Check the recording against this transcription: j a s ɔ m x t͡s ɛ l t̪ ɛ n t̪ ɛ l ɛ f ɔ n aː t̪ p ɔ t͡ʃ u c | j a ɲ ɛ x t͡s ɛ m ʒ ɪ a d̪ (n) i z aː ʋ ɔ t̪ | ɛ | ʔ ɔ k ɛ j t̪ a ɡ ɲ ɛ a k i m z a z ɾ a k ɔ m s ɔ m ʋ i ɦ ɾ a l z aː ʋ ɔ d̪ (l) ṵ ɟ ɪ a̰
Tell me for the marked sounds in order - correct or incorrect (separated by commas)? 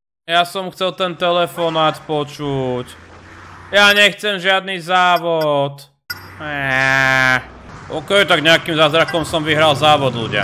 correct, correct